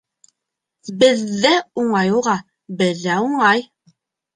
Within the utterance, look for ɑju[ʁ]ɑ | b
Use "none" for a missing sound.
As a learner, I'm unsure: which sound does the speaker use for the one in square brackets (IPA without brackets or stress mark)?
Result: ʁ